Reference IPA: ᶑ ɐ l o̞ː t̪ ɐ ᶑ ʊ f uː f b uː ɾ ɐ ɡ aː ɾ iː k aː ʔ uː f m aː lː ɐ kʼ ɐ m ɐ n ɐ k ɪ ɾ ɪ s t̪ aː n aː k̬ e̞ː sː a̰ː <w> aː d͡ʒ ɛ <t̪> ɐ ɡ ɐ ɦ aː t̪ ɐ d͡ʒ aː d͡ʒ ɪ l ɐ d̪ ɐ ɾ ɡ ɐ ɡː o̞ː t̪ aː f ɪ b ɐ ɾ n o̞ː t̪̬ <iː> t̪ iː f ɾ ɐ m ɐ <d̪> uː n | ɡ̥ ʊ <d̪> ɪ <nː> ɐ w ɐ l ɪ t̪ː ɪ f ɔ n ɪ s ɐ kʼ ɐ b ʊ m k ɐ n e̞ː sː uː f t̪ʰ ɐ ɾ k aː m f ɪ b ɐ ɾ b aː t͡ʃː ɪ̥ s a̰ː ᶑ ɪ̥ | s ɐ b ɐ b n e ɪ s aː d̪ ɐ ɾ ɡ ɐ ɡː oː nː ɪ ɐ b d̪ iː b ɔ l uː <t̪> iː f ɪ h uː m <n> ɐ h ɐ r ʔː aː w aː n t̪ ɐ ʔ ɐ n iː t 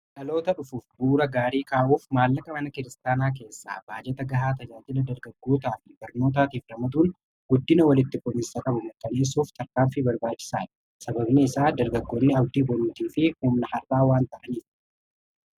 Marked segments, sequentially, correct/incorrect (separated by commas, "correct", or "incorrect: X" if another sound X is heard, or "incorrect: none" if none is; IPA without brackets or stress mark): incorrect: b, correct, incorrect: aː, correct, incorrect: d̪ː, incorrect: n, correct, correct